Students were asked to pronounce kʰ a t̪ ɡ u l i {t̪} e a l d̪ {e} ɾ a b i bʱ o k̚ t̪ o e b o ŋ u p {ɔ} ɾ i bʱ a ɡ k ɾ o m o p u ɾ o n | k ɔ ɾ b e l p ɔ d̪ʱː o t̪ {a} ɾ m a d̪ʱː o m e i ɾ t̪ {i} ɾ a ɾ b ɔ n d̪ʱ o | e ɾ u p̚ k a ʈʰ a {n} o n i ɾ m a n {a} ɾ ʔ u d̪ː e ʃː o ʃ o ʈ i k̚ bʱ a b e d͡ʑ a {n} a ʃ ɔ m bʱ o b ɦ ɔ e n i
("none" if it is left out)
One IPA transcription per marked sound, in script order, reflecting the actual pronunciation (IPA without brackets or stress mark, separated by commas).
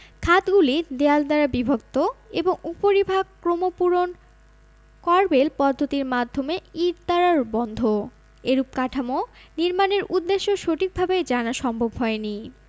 d̪, a, o, i, a, m, e, n